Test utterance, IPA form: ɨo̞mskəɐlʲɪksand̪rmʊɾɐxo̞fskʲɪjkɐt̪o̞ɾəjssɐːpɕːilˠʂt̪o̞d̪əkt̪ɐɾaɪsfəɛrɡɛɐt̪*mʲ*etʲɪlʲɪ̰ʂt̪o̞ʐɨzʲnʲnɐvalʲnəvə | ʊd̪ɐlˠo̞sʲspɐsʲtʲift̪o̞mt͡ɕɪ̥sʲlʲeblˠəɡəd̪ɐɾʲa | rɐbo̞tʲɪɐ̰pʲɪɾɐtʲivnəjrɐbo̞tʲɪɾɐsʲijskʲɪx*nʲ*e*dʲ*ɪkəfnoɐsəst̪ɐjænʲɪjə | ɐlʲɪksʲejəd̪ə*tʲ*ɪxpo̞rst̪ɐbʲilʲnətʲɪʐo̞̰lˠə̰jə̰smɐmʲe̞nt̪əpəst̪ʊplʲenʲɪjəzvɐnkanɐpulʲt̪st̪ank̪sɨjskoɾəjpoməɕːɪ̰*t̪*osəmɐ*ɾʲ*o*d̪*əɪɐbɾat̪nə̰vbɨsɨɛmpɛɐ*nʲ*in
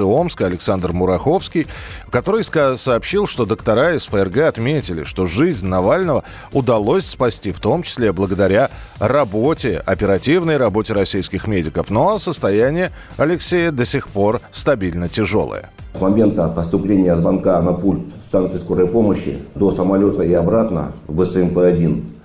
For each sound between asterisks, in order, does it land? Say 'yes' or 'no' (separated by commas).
yes, no, yes, no, no, no, no, no